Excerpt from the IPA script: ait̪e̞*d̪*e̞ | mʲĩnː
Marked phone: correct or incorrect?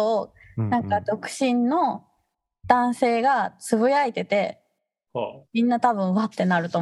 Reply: incorrect